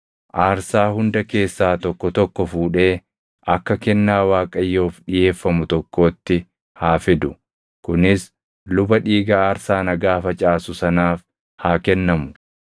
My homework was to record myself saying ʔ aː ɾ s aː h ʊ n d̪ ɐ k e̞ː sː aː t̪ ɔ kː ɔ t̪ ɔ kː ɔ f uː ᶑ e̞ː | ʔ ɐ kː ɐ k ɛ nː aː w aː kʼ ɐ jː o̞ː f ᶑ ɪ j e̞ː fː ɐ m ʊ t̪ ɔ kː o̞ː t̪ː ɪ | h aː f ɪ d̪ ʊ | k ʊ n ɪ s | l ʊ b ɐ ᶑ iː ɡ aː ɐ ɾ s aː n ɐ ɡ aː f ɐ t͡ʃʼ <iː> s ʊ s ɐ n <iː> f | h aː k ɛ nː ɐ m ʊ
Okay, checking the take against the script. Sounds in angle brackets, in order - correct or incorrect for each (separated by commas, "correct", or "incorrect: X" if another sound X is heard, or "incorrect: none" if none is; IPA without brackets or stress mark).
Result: incorrect: aː, incorrect: aː